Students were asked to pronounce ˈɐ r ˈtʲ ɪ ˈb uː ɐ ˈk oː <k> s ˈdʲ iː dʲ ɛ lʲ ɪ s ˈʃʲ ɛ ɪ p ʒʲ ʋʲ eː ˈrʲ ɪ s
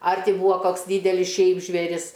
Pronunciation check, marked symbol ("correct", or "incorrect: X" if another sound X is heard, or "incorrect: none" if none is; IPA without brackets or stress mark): correct